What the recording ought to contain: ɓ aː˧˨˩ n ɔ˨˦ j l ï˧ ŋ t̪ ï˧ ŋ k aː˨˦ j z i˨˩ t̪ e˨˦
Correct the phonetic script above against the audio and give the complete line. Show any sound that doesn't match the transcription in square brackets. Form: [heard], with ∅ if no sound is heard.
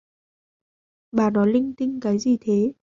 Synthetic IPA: ɓ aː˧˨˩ n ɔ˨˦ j l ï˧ ŋ t̪ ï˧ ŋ k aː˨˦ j z i˨˩ [t̪ʰ] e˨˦

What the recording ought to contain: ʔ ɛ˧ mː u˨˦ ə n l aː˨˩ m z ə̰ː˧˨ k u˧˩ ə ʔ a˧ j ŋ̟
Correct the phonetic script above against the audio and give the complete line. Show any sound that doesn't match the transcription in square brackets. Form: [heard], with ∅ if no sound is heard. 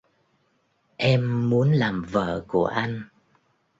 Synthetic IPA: ʔ ɛ˧ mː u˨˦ ə n l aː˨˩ m [v] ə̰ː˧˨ k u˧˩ ə ʔ a˧ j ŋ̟

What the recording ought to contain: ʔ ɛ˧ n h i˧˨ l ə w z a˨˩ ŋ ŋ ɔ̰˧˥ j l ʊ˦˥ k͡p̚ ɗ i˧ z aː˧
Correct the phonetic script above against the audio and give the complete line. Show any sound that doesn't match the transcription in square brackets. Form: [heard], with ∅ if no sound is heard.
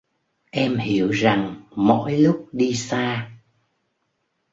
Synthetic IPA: ʔ ɛ˧ [m] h i˧˨ [∅] ə w z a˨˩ ŋ [m] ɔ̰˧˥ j l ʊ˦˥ k͡p̚ ɗ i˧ [s] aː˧

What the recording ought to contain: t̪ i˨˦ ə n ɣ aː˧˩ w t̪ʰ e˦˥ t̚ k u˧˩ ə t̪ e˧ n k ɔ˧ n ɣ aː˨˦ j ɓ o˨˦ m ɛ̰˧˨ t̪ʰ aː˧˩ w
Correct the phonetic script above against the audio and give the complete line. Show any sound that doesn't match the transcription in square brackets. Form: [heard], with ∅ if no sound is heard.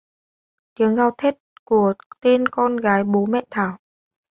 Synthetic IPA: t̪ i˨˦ ə [ŋ] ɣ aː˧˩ w t̪ʰ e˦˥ t̚ k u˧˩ ə t̪ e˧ n k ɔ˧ n ɣ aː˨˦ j ɓ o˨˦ m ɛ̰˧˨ t̪ʰ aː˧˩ w

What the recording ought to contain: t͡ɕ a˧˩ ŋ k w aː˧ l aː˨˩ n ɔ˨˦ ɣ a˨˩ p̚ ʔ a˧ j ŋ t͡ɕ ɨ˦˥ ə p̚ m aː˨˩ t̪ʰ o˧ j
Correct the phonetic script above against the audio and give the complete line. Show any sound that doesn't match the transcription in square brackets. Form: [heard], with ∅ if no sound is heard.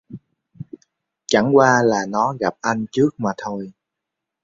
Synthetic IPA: t͡ɕ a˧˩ ŋ k w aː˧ l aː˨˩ n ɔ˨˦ ɣ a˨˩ p̚ ʔ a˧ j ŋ t͡ɕ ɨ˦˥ ə [k̚] m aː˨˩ t̪ʰ o˧ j

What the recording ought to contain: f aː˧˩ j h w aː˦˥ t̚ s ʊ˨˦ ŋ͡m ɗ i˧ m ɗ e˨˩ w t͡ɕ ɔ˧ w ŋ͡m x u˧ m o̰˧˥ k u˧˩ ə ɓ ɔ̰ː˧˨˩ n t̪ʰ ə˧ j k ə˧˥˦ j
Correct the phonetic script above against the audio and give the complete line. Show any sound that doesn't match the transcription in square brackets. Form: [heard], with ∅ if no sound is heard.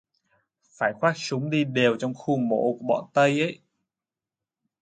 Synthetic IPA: f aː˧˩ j [x] w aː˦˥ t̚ s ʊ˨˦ ŋ͡m ɗ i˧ [∅] ɗ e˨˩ w t͡ɕ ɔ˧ w ŋ͡m x u˧ m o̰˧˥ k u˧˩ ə ɓ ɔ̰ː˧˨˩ n [t̪] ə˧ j [ʔ] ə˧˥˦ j

